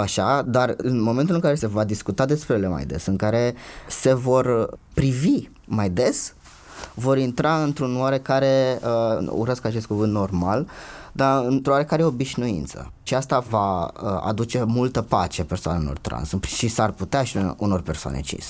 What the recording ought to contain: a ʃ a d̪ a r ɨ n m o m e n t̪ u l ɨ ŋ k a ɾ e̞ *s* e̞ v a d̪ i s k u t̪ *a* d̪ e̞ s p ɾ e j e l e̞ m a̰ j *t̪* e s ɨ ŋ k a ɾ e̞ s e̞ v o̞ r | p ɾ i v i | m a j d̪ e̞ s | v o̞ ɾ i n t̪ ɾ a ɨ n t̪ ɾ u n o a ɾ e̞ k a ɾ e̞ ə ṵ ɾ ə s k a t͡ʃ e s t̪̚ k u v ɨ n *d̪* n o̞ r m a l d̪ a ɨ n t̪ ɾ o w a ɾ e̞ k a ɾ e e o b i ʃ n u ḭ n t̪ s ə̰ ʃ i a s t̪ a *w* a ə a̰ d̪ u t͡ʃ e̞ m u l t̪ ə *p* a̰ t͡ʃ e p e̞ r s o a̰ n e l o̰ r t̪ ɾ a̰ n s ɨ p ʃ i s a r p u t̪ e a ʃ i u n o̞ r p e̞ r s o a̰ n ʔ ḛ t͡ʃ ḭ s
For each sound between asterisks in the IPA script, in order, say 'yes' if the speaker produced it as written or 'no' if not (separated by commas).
yes, yes, no, no, no, yes